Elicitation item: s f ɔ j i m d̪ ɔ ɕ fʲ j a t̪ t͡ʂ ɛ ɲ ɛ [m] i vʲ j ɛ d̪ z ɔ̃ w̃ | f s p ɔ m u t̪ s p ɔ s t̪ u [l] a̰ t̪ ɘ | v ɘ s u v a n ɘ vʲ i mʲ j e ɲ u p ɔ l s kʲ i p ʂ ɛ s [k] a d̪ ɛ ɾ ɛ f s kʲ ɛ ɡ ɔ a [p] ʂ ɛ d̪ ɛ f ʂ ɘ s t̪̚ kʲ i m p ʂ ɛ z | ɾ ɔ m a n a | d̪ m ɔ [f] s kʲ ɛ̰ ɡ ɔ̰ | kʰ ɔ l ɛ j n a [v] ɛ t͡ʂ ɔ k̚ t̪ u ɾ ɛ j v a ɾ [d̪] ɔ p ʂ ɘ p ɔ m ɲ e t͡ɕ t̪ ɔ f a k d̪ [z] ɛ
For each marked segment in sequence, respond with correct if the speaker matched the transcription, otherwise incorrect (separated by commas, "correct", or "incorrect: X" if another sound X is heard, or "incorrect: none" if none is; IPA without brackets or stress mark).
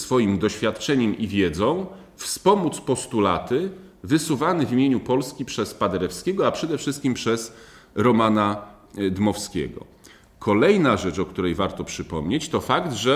correct, correct, incorrect: p, correct, correct, incorrect: ʐ, incorrect: t̪, incorrect: ʐ